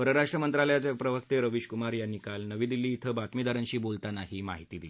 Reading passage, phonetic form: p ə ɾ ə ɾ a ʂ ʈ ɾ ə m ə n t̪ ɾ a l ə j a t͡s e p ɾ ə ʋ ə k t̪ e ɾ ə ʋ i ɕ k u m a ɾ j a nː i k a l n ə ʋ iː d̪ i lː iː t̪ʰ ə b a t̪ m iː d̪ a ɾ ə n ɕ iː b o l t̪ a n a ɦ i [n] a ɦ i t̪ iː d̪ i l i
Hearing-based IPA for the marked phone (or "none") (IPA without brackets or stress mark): m